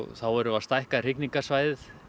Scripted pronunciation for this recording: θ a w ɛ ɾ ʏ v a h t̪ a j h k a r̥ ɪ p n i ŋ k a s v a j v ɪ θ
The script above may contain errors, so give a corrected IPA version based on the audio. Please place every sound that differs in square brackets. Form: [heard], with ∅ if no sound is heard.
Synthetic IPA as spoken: θ a w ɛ ɾ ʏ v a [s] t̪ a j h k a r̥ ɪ [k] n i ŋ k a s v a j [ð] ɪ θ